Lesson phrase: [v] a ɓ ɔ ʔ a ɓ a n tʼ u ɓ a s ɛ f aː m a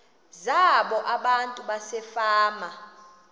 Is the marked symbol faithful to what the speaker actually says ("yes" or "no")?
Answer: no